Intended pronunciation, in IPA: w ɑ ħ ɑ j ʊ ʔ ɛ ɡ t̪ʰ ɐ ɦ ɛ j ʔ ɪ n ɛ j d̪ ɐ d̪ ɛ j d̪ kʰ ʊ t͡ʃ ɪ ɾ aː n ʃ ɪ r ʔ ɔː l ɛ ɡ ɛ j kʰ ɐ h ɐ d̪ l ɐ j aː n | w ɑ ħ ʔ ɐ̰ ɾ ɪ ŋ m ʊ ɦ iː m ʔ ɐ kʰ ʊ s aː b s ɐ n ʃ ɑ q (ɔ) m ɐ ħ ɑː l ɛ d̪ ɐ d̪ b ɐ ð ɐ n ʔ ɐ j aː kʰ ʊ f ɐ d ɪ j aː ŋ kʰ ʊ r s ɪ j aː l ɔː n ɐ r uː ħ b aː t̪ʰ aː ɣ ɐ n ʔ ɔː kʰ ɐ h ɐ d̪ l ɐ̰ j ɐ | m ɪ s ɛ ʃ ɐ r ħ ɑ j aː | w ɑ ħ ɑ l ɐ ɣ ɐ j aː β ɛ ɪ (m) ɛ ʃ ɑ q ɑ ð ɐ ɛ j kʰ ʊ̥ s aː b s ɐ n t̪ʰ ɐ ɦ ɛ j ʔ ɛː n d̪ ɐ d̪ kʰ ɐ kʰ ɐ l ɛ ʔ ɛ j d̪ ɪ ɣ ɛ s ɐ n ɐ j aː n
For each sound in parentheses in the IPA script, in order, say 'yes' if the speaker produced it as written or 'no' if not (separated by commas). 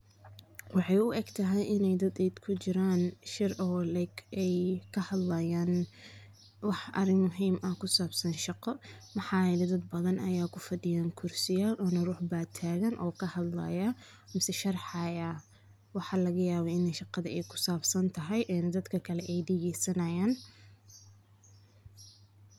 yes, no